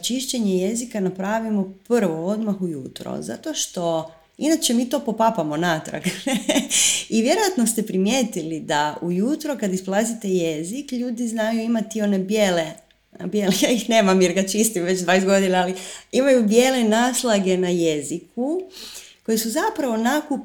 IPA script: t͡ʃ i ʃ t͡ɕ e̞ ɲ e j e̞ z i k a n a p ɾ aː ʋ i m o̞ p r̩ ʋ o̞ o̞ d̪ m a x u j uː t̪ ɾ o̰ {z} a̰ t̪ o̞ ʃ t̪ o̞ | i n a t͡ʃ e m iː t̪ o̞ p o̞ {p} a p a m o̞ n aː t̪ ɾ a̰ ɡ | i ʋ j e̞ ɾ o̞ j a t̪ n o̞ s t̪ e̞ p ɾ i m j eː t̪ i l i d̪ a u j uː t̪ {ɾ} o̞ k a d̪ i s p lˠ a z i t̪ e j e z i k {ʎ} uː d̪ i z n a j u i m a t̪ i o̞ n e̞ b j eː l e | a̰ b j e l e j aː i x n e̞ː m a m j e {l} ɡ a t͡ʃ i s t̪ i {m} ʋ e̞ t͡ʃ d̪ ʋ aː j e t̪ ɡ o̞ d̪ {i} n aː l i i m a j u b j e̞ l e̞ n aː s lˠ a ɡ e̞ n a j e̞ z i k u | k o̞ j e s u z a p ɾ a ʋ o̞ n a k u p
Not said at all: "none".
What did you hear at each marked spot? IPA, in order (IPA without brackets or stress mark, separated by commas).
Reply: z, p, ɾ, ʎ, ɾ, m, i